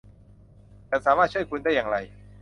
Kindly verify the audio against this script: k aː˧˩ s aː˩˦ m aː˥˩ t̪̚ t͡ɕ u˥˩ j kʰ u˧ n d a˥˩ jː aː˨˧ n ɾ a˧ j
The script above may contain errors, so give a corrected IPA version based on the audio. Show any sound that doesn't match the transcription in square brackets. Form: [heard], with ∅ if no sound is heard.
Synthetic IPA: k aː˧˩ s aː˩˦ m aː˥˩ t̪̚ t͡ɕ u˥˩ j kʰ u˧ n d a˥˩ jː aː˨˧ [ŋ] ɾ a˧ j